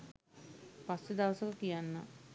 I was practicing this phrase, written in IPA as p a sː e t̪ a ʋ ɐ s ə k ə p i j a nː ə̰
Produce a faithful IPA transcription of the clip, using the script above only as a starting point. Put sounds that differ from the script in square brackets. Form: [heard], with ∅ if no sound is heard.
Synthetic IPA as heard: p a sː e [d̪] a ʋ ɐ s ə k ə [k] i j a nː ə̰